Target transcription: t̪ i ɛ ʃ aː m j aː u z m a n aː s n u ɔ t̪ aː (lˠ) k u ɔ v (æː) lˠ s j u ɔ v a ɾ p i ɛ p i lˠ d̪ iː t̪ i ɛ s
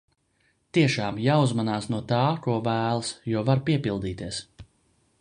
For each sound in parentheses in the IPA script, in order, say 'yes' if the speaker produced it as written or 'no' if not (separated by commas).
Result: no, yes